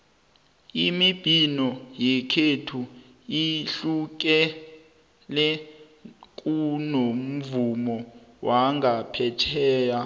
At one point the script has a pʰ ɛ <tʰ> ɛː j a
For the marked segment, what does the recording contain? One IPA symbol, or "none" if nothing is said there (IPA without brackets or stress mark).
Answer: tʰ